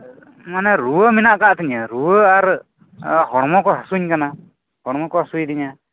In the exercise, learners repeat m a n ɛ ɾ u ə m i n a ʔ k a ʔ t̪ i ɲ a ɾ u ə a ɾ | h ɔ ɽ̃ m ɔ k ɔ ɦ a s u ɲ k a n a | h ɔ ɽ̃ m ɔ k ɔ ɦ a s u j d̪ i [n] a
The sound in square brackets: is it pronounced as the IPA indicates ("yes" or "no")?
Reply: no